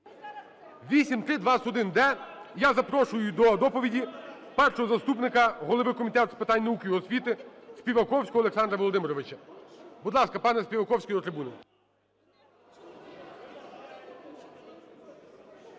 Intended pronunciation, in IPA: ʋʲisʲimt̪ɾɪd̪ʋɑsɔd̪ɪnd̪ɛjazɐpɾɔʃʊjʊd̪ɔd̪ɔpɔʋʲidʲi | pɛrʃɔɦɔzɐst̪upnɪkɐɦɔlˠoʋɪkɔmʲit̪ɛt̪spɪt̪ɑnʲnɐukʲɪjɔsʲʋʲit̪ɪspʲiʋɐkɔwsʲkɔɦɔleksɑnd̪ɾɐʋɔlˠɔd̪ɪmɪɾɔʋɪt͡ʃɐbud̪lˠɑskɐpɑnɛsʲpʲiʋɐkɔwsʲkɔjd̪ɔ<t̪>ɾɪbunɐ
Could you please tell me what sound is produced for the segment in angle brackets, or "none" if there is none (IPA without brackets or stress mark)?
t̪